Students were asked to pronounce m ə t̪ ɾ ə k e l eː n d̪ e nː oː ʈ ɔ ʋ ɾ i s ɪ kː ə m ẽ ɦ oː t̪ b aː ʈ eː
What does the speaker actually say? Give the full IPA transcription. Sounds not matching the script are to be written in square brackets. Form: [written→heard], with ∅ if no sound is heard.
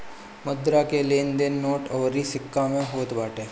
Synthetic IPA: m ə [t̪→d̪] ɾ [ə→a] k e l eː n d̪ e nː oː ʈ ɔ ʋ ɾ i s ɪ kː [ə→a] m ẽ ɦ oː t̪ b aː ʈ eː